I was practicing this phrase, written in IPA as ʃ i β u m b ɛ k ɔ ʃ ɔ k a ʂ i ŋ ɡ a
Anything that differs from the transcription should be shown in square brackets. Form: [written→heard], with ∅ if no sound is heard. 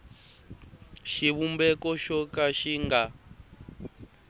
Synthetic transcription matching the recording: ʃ i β u m b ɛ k ɔ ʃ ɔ k a [ʂ→ʃ] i ŋ ɡ a